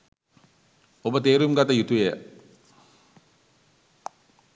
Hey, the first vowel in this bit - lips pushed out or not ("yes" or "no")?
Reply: yes